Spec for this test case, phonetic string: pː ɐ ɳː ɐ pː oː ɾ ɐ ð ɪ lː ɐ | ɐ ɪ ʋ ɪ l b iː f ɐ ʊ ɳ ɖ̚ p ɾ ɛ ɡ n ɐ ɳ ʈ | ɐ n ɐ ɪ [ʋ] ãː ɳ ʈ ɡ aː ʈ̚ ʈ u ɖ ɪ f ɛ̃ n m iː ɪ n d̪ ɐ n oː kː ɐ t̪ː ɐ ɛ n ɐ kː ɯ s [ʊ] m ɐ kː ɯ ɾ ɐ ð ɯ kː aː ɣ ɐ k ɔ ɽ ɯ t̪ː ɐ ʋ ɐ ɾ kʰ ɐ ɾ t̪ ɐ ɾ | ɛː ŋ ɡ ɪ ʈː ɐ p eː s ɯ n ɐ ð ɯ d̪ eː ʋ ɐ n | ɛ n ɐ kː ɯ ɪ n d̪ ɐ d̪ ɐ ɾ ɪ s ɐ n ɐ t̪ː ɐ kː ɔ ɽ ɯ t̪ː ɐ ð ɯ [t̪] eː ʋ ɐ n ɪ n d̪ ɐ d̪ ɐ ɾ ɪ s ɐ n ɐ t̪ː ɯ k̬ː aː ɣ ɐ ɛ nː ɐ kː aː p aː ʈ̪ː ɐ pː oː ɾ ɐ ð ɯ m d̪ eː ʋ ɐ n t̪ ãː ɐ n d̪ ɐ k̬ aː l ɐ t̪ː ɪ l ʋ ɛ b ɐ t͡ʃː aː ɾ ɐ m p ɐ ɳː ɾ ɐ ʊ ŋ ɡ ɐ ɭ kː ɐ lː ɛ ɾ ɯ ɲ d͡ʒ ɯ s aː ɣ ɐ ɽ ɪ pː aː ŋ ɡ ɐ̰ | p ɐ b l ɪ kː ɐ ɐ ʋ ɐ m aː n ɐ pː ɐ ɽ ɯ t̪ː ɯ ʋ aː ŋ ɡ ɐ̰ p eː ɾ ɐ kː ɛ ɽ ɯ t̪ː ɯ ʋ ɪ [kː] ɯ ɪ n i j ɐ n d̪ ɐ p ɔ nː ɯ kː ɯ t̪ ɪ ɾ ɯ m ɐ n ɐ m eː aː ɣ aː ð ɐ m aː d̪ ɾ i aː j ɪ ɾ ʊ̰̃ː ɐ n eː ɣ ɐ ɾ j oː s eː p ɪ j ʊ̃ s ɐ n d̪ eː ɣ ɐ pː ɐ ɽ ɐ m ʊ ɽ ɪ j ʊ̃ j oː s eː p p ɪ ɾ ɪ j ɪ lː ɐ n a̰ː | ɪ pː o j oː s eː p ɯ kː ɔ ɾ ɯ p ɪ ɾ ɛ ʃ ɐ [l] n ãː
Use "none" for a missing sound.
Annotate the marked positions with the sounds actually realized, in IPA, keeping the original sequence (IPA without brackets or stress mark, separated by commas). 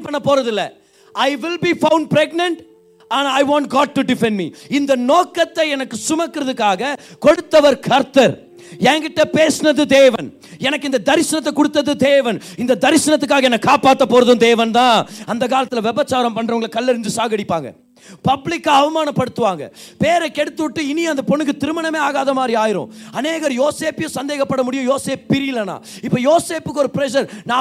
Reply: ʋ, ʊ, d̪, ʈː, ɾ